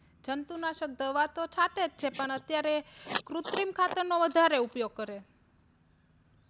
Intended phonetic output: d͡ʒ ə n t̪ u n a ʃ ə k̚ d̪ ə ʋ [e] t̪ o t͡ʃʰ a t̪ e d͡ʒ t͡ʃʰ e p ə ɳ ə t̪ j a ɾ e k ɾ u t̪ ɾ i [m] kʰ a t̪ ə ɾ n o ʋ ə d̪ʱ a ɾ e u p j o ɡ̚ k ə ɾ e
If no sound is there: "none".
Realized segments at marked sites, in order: a, m

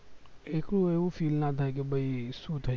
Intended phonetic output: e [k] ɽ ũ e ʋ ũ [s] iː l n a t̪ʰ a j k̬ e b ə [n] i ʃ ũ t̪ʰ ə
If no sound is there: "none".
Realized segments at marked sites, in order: k, f, none

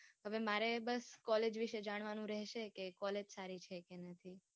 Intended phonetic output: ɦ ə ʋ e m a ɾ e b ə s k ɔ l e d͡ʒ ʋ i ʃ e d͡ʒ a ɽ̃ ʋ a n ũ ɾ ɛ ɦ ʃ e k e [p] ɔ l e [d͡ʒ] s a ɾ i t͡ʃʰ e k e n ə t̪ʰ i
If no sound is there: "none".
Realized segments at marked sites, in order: k, d͡ʒ

